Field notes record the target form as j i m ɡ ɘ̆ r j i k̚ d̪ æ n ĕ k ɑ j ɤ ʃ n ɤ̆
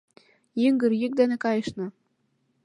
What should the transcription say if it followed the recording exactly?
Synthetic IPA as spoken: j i ŋ ɡ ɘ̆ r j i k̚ d̪ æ n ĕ k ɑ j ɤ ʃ n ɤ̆